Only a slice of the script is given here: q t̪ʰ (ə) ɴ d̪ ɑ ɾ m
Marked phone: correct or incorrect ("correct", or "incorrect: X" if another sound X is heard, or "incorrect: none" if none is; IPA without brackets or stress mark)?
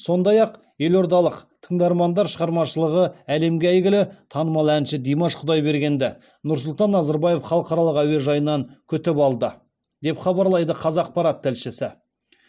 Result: correct